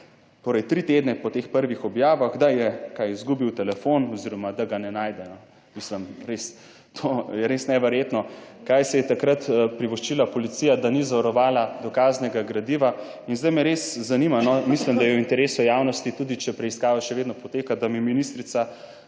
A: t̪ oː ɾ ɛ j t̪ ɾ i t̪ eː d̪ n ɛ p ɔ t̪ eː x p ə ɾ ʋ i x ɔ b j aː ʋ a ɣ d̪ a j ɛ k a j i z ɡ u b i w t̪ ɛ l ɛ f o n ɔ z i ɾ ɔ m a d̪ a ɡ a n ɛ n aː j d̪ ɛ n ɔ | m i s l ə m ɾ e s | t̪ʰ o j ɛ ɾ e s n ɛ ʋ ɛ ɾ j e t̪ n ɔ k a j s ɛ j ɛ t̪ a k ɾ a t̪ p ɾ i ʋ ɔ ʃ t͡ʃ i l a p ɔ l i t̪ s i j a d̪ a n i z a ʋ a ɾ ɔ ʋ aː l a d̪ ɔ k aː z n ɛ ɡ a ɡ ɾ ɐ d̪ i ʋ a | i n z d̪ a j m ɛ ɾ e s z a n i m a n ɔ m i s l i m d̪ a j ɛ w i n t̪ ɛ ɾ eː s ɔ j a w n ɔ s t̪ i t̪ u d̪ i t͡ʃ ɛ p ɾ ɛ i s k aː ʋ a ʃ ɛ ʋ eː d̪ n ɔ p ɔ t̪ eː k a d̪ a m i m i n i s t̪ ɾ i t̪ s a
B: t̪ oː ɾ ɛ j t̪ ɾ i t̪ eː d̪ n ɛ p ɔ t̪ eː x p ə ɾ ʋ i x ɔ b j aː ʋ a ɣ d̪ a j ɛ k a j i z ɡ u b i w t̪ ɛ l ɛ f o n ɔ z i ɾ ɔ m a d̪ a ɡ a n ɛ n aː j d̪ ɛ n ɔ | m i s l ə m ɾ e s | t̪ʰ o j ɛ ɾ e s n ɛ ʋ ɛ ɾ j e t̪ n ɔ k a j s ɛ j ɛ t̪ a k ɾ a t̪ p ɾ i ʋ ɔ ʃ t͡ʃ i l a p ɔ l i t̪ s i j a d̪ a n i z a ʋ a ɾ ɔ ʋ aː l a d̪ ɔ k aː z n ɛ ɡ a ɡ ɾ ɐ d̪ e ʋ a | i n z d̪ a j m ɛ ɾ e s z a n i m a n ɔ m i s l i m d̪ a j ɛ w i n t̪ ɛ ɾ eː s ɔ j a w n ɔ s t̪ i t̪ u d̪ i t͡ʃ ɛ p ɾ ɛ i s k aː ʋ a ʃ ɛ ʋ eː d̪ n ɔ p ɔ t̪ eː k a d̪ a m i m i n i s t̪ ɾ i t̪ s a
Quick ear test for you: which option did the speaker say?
A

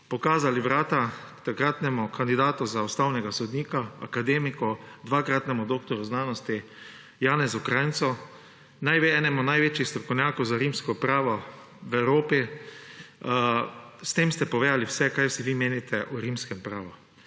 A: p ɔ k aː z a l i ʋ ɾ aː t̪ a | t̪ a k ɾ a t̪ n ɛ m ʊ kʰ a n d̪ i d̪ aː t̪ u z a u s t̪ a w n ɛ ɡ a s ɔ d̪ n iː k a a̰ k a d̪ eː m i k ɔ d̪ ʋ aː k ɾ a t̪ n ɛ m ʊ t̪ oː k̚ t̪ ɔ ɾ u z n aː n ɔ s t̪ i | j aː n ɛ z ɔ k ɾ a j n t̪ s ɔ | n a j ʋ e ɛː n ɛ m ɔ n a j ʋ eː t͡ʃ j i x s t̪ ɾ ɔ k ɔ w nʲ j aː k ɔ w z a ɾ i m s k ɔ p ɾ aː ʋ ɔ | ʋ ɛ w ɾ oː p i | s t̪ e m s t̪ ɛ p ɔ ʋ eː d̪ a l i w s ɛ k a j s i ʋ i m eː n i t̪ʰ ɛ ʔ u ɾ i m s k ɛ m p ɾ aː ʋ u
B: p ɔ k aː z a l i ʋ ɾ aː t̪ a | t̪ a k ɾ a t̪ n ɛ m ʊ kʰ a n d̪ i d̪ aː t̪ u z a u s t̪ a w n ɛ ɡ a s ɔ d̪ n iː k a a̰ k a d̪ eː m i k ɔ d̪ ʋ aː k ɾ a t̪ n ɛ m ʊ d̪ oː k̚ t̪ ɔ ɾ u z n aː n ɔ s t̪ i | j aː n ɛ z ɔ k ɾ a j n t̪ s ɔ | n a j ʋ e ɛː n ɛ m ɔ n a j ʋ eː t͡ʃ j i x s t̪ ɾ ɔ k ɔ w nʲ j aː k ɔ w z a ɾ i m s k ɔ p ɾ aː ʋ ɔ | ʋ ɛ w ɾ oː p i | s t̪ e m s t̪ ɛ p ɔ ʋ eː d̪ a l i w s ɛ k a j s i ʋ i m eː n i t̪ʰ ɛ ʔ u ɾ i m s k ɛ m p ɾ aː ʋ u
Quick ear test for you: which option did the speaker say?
B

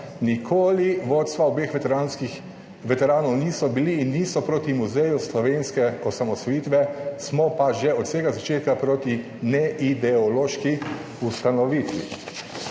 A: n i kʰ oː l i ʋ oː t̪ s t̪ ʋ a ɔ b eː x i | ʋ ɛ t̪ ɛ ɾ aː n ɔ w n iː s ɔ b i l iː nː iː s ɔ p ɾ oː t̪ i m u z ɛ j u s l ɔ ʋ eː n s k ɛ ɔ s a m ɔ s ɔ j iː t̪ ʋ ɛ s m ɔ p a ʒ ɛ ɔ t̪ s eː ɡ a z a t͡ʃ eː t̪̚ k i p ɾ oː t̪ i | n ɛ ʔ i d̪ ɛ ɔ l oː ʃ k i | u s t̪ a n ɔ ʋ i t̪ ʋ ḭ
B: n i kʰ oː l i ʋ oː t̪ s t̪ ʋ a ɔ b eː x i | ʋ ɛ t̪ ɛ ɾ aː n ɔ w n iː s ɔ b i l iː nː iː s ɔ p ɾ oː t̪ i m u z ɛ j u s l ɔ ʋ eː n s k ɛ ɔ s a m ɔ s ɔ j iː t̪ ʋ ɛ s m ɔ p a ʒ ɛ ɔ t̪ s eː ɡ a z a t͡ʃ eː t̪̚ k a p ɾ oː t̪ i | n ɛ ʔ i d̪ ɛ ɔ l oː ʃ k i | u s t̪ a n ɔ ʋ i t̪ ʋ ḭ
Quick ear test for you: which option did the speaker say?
B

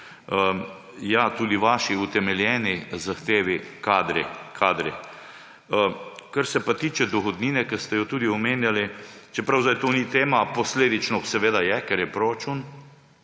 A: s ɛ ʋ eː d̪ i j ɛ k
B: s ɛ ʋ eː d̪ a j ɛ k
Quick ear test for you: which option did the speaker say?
B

